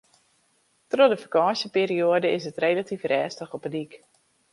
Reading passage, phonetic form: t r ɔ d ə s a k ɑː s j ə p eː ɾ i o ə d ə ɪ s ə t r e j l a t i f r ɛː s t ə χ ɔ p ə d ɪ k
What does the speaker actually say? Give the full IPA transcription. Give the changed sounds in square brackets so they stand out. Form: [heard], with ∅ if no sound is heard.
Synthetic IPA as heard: t r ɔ d ə [f] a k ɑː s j ə p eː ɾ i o ə d ə ɪ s ə t r e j l a t i f r ɛː s t ə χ ɔ p ə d [i] k